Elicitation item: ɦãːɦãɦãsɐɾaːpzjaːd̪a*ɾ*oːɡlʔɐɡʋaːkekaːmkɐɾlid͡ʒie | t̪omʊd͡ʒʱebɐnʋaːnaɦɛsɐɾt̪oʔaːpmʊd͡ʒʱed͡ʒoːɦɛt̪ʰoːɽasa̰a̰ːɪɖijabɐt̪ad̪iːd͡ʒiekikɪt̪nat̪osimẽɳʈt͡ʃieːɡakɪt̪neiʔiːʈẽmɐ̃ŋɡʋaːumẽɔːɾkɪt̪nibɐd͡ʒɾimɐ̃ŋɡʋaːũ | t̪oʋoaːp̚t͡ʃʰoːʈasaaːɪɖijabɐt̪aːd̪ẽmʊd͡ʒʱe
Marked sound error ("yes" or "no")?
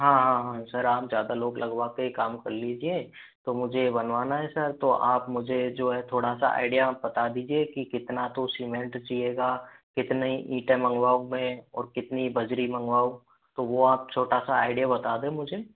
yes